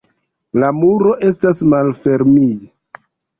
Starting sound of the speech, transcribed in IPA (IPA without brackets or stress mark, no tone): l